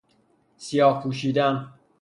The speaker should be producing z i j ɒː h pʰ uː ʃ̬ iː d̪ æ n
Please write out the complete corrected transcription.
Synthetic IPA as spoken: s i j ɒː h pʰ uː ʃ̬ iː d̪ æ n